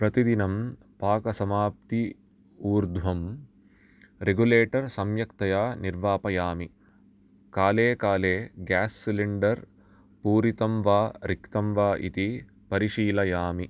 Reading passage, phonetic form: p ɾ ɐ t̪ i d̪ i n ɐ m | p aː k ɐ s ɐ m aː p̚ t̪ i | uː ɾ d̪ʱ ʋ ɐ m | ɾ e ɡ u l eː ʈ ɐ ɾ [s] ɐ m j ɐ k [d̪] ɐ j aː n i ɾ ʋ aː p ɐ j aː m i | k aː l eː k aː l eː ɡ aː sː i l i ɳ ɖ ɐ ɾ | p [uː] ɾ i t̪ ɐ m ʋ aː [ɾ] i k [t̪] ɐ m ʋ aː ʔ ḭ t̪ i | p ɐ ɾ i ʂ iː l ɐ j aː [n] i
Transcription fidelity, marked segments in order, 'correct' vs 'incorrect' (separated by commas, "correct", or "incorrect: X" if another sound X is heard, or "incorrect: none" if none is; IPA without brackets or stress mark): correct, incorrect: t̪, correct, correct, correct, incorrect: m